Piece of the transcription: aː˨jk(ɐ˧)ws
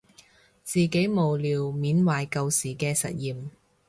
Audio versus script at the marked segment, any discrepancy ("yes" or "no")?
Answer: no